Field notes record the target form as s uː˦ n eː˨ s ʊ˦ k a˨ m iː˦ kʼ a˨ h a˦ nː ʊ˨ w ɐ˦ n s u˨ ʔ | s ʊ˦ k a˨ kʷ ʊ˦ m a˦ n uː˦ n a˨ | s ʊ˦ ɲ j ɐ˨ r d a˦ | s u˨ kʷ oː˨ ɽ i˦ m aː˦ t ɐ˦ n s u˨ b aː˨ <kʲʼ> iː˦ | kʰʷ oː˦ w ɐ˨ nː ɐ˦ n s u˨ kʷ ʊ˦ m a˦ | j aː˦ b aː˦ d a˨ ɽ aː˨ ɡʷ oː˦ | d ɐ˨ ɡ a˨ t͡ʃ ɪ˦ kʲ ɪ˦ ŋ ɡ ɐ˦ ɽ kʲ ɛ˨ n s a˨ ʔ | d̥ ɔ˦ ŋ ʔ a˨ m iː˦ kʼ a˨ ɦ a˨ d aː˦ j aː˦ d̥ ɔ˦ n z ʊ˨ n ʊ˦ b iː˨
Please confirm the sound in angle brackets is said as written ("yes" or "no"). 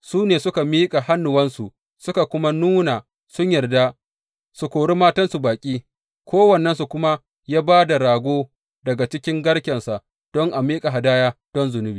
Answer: yes